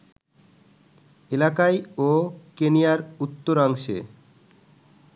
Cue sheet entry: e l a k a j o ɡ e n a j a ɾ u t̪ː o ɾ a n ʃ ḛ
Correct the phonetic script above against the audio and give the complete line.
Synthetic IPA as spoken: e l a k a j o k e n i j a ɾ u t̪ː o ɾ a ŋ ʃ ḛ